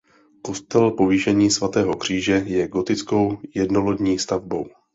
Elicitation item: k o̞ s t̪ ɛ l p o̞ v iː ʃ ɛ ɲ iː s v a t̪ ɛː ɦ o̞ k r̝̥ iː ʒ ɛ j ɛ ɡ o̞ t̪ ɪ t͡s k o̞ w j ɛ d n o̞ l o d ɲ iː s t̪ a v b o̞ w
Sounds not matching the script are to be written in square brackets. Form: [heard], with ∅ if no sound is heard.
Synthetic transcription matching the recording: k o̞ s t̪ ɛ l p o̞ v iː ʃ ɛ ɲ iː s v a t̪ ɛː ɦ o̞ k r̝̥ iː ʒ ɛ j ɛ ɡ o̞ t̪ ɪ t͡s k o̞ w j ɛ d n o̞ l o d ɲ iː s t̪ a v b o̞ w